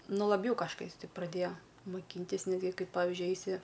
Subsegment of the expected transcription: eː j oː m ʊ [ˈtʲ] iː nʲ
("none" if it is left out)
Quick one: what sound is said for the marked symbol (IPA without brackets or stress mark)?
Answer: kʲ